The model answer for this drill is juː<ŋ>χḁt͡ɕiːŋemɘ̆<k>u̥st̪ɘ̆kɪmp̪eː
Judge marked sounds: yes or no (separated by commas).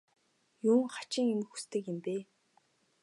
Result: yes, no